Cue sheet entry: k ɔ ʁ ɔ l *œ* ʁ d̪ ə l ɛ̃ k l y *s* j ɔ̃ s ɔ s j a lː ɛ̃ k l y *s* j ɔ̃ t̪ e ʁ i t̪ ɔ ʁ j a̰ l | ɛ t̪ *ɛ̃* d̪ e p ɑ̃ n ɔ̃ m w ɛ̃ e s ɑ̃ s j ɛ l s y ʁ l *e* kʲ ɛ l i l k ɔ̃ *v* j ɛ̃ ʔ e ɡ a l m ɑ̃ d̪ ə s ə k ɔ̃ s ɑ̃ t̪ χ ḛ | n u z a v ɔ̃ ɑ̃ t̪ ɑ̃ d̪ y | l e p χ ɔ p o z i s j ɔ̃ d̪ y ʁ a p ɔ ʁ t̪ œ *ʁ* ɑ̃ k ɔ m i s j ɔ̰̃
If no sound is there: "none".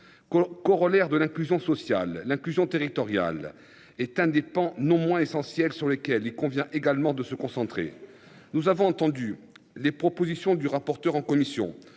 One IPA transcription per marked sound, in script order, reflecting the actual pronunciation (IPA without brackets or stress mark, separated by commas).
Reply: ɛ, z, z, ɛ̃, e, v, ʁ